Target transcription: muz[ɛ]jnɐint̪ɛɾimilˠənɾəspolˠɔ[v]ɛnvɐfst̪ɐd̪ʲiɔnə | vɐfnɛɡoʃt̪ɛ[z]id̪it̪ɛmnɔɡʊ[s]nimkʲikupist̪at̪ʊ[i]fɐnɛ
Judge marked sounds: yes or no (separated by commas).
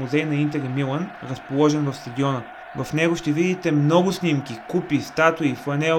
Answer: yes, no, no, yes, yes